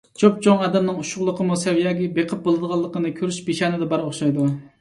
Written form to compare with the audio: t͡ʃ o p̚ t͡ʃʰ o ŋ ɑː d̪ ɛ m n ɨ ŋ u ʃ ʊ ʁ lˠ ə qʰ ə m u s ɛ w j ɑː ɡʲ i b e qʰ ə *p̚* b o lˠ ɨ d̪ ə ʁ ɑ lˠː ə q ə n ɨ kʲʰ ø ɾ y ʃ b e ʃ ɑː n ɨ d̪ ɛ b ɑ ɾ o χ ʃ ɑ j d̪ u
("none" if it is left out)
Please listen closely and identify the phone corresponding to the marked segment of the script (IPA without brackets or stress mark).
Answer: p̚